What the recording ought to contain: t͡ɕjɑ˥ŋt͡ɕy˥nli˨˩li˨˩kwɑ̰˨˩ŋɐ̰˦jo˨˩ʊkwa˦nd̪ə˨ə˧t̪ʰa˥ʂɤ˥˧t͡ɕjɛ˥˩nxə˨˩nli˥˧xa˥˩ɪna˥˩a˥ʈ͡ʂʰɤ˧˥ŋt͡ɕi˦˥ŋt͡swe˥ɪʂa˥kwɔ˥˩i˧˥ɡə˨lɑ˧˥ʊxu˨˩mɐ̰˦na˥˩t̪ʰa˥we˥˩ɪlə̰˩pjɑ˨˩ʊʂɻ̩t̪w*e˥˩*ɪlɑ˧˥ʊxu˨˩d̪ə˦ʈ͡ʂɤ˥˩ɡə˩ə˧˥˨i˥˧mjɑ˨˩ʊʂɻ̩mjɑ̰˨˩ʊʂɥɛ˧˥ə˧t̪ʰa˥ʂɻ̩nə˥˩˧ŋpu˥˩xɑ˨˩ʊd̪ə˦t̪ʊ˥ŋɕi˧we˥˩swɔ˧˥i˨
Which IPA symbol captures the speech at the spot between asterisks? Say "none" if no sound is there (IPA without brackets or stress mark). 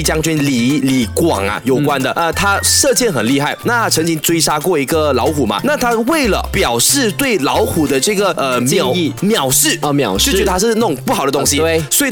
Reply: e˥˩